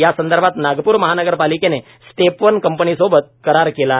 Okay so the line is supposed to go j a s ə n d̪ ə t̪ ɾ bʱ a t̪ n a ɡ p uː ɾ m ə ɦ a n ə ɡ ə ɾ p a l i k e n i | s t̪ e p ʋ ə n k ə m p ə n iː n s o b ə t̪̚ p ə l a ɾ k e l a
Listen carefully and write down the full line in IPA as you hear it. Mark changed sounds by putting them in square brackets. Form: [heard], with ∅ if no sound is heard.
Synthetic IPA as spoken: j a s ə n d̪ ə [∅] ɾ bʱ a t̪ n a ɡ p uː ɾ m ə ɦ a n ə ɡ ə ɾ p a l i k e n [e] | s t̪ e p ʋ ə n k ə m p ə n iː [∅] s o b ə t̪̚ [k] ə [ɾ] a ɾ k e l a